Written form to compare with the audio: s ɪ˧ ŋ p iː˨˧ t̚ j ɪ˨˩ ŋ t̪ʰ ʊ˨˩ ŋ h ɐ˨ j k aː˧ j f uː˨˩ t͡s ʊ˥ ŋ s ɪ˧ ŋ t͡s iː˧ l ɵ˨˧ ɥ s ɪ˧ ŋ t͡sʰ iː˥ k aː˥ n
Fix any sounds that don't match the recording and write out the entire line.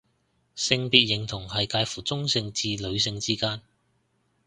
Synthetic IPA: s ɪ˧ ŋ p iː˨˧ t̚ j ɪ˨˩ ŋ t̪ʰ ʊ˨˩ ŋ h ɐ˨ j k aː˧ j f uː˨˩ t͡s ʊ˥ ŋ s ɪ˧ ŋ t͡s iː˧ l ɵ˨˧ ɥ s ɪ˧ ŋ t͡s iː˥ k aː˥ n